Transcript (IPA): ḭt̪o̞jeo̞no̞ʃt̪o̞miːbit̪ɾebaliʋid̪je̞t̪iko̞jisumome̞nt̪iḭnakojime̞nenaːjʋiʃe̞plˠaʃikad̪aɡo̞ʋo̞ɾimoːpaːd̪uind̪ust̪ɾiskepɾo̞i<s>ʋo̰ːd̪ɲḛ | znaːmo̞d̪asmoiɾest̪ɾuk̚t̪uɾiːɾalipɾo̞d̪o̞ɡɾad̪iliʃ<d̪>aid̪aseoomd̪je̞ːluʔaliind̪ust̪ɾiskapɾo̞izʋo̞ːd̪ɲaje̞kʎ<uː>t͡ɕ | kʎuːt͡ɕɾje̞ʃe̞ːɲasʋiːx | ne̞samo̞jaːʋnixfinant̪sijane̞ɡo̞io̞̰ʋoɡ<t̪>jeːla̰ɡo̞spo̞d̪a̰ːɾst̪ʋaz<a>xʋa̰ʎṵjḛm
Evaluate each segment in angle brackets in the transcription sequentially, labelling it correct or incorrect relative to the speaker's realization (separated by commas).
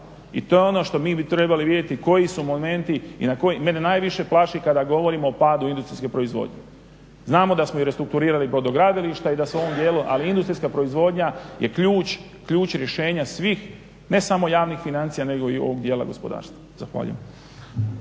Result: incorrect, incorrect, correct, incorrect, correct